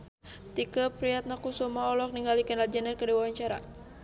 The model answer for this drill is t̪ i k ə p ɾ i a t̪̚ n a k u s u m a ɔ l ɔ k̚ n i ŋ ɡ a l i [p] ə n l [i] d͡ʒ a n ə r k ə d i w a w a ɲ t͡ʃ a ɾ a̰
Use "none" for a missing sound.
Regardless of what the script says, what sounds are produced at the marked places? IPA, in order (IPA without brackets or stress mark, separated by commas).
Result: k, a